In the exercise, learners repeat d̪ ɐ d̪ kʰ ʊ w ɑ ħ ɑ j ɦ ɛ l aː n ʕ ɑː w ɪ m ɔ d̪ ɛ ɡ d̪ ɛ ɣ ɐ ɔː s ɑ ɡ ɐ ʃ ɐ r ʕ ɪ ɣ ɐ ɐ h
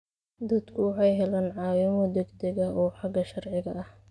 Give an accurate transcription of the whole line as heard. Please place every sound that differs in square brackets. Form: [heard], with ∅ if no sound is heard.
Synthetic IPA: d̪ ɐ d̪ kʰ ʊ w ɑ ħ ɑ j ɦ ɛ l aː n ʕ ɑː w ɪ m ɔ d̪ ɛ ɡ d̪ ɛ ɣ ɐ ɔː [ħ] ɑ ɡ ɐ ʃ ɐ r ʕ ɪ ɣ ɐ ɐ h